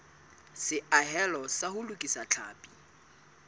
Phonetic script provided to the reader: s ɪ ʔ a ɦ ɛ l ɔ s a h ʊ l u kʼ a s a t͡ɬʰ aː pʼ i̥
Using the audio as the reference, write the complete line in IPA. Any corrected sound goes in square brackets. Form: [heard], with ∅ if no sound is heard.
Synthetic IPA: s ɪ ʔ a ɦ ɛ l ɔ s a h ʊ l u kʼ [i] s a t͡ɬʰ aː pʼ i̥